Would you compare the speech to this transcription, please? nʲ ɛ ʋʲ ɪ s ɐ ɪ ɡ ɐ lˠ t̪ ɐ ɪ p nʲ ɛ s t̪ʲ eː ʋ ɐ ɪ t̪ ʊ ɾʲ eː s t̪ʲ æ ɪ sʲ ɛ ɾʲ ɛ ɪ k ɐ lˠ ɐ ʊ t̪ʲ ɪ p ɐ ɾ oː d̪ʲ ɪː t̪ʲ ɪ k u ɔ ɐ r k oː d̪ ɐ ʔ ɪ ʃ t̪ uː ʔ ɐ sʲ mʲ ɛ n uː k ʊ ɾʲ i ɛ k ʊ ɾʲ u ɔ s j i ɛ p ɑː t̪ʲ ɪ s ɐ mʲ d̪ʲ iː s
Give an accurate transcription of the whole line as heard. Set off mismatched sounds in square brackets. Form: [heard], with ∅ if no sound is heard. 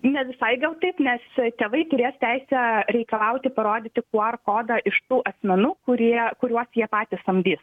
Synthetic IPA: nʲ ɛ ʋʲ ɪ s ɐ ɪ ɡ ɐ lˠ t̪ ɐ ɪ p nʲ ɛ s t̪ʲ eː ʋ ɐ ɪ t̪ ʊ ɾʲ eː s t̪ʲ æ ɪ sʲ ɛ ɾʲ ɛ ɪ k ɐ lˠ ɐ ʊ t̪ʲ ɪ p ɐ ɾ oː d̪ʲ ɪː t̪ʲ ɪ k u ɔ ɐ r k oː d̪ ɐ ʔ ɪ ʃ t̪ uː ʔ ɐ sʲ mʲ ɛ n uː k ʊ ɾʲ i ɛ k ʊ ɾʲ u ɔ s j i ɛ p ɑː t̪ʲ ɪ s ɐ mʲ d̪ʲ iː s

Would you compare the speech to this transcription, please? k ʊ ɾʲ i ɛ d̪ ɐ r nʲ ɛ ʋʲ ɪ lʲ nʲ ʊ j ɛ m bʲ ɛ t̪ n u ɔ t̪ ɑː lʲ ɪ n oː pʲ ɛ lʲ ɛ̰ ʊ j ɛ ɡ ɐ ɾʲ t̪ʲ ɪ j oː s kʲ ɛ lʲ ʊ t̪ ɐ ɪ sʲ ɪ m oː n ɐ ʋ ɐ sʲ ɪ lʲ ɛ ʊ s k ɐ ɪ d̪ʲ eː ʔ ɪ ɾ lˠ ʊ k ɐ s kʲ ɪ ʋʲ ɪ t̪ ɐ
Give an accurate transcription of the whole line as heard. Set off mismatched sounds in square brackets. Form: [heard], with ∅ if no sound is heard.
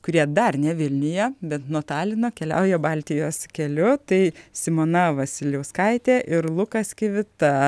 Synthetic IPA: k ʊ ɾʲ i ɛ d̪ ɐ r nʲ ɛ ʋʲ ɪ lʲ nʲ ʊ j ɛ [∅] bʲ ɛ t̪ n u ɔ t̪ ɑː lʲ ɪ n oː [kʲ] ɛ lʲ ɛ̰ ʊ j ɛ [b] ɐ [lʲ] t̪ʲ ɪ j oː s kʲ ɛ lʲ ʊ t̪ ɐ ɪ sʲ ɪ m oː n ɐ ʋ ɐ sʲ ɪ lʲ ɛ ʊ s k ɐ ɪ [t̪ʲ] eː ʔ ɪ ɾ lˠ ʊ k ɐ s kʲ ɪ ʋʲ ɪ t̪ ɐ

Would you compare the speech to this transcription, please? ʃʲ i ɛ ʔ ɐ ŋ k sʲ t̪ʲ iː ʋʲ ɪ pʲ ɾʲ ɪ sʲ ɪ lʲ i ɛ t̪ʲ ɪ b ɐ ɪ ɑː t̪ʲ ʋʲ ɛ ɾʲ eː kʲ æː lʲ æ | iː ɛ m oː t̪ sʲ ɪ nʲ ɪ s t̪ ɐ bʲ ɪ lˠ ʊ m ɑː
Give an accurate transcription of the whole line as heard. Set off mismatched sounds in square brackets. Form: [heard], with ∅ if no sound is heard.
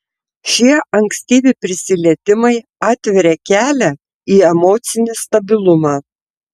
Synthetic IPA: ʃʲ i ɛ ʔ ɐ ŋ k sʲ t̪ʲ iː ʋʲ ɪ pʲ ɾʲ ɪ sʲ ɪ lʲ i ɛ t̪ʲ ɪ [m] ɐ ɪ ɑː t̪ʲ ʋʲ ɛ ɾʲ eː kʲ æː lʲ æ | iː ɛ m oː t̪ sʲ ɪ nʲ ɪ s t̪ ɐ bʲ ɪ lˠ ʊ m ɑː

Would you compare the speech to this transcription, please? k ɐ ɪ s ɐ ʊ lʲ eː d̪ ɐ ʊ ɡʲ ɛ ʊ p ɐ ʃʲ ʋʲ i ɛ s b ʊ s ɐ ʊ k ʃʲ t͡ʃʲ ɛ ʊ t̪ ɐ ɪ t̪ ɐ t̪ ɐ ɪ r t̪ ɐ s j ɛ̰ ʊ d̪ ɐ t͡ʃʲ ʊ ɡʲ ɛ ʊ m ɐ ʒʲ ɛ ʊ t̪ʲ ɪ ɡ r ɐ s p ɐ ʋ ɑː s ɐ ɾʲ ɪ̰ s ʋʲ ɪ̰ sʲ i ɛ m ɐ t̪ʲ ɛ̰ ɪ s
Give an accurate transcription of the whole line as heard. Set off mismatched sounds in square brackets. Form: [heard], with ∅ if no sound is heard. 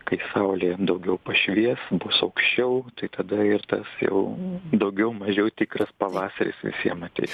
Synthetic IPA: k ɐ ɪ s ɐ ʊ lʲ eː d̪ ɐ ʊ ɡʲ ɛ ʊ p ɐ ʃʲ ʋʲ i ɛ s b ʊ s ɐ ʊ k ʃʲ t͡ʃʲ ɛ ʊ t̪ ɐ ɪ t̪ ɐ [d̪] ɐ ɪ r t̪ ɐ s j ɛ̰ ʊ d̪ ɐ [∅] ʊ ɡʲ ɛ ʊ m ɐ ʒʲ ɛ ʊ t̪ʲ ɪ [k] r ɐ s p ɐ ʋ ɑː s ɐ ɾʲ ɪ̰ s ʋʲ ɪ̰ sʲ i ɛ m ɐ t̪ʲ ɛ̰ ɪ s

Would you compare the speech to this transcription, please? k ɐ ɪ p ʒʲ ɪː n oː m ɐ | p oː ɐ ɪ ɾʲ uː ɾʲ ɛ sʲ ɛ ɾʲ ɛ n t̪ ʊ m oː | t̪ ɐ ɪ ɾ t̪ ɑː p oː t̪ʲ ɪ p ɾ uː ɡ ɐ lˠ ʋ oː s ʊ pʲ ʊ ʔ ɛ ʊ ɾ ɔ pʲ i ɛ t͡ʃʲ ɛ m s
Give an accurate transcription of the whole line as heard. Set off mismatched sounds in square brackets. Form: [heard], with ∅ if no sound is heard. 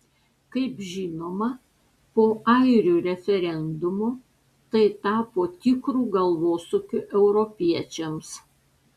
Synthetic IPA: k ɐ ɪ p ʒʲ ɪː n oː m ɐ | p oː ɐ ɪ ɾʲ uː ɾʲ ɛ [fʲ] ɛ ɾʲ ɛ n [d̪] ʊ m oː | t̪ ɐ ɪ [∅] t̪ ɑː p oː t̪ʲ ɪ [k] ɾ uː ɡ ɐ lˠ ʋ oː s ʊ [kʲ] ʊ ʔ ɛ ʊ ɾ ɔ pʲ i ɛ t͡ʃʲ ɛ m s

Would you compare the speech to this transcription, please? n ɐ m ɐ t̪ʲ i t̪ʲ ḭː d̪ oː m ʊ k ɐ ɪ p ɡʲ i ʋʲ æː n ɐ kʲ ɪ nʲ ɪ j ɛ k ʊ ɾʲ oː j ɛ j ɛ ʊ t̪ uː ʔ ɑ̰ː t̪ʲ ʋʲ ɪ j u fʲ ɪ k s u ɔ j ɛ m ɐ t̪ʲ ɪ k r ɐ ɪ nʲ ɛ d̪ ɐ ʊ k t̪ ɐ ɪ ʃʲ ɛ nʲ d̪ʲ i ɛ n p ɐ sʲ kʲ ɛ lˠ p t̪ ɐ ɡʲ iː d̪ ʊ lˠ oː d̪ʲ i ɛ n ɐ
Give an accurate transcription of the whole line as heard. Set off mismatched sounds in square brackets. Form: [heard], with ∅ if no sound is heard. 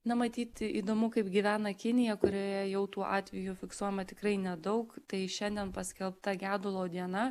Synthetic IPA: n ɐ m ɐ t̪ʲ [iː] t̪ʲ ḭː d̪ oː m ʊ k ɐ ɪ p ɡʲ i ʋʲ æː n ɐ kʲ ɪ nʲ ɪ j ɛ k ʊ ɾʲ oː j ɛ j ɛ ʊ t̪ uː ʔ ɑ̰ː t̪ʲ ʋʲ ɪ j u fʲ ɪ k s u ɔ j ɛ m ɐ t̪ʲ ɪ k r ɐ ɪ nʲ ɛ d̪ ɐ ʊ k t̪ ɐ ɪ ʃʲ ɛ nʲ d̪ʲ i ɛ n p ɐ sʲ kʲ ɛ lˠ p t̪ ɐ ɡʲ [æː] d̪ ʊ lˠ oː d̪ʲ i ɛ n ɐ

